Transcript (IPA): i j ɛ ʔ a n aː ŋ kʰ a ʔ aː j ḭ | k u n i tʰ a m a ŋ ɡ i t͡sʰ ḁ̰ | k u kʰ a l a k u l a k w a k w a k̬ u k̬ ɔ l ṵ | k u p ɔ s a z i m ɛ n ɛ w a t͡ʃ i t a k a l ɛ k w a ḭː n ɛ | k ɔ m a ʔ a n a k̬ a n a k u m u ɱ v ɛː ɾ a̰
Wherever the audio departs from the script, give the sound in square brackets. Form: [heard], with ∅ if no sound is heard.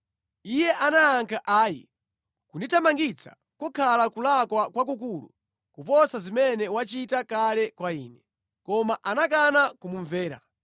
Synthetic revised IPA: i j ɛ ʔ a n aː ŋ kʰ a ʔ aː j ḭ | k u n i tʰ a m a ŋ ɡ i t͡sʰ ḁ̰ | k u kʰ a l a k u l a k w a k w a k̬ u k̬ [u] l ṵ | k u p ɔ s a z i m ɛ n ɛ w a t͡ʃ i t a k a l ɛ k w a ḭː n ɛ | k ɔ m a ʔ a n a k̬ a n a k u m u ɱ v ɛː ɾ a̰